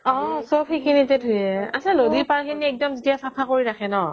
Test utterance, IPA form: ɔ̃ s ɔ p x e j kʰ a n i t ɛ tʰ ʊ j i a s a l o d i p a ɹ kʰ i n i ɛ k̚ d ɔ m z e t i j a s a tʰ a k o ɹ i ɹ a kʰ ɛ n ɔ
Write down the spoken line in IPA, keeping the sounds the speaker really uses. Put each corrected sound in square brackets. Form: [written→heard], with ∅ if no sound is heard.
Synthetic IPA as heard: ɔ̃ s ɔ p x e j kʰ [a→i] n i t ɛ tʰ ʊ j [i→ɛ] a s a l o d i p a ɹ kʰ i n i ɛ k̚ d ɔ m z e t i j a s a [tʰ→pʰ] a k o ɹ i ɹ a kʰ ɛ n ɔ